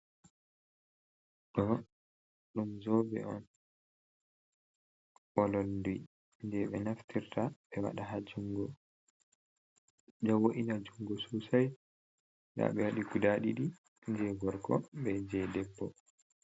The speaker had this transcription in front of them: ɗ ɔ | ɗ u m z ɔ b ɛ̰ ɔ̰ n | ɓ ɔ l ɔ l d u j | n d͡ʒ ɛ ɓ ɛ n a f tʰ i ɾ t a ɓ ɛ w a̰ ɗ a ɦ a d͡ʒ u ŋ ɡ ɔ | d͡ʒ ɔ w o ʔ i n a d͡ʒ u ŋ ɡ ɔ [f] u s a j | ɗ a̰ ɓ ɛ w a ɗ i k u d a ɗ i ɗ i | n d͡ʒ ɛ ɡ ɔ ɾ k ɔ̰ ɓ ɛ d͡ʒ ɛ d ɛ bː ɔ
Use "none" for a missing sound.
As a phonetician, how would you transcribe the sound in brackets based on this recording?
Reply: s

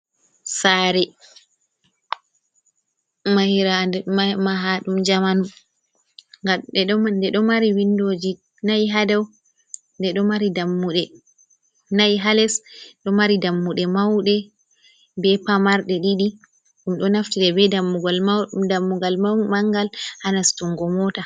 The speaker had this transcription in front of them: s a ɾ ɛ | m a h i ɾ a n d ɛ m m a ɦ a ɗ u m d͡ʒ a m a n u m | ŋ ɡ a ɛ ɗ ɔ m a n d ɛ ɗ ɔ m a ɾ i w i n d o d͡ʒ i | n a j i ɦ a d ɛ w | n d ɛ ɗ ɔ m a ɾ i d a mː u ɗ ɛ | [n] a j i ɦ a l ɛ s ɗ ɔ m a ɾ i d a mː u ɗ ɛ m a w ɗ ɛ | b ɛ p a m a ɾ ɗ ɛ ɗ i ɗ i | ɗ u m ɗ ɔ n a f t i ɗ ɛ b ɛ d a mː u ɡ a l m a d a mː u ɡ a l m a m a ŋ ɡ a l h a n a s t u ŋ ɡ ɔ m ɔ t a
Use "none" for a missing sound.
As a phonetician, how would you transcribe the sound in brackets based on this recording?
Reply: n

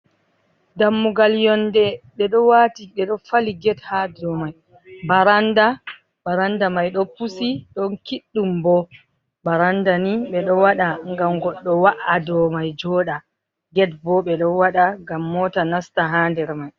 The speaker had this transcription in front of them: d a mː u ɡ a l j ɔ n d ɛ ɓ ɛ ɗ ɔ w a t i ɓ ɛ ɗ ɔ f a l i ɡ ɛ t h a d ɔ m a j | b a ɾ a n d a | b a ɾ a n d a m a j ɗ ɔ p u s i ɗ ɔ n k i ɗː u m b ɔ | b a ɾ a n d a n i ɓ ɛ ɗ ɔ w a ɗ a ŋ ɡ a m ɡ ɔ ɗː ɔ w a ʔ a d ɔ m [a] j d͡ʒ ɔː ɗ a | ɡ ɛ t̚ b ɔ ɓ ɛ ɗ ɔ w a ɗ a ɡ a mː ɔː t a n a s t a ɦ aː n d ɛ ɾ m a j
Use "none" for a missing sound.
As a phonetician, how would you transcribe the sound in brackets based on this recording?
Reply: a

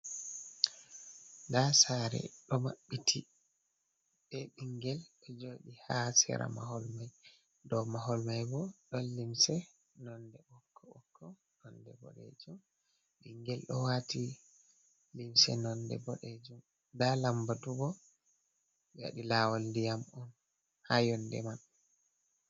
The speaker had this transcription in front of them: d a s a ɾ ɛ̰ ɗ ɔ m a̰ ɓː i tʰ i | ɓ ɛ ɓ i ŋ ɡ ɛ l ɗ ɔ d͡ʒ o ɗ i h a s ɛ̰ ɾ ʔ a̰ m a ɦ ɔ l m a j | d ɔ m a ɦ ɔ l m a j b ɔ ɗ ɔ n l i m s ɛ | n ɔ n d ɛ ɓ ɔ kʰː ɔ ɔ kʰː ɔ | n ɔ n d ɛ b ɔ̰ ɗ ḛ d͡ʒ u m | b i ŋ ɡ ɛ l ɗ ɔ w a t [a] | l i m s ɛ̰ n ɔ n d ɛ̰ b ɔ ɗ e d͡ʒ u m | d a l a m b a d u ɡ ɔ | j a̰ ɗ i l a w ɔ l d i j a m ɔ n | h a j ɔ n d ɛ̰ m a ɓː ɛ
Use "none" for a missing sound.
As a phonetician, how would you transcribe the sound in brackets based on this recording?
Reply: i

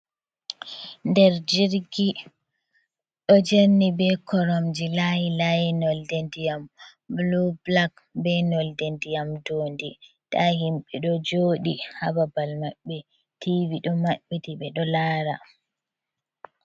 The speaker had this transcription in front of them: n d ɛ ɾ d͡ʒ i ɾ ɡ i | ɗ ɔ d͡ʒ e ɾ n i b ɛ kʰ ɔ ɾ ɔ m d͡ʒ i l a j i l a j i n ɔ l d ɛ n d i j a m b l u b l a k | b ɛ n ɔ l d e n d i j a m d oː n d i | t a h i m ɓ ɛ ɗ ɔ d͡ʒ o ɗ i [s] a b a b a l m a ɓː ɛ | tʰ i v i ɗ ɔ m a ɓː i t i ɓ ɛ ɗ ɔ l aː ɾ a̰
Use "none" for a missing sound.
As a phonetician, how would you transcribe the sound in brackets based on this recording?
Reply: h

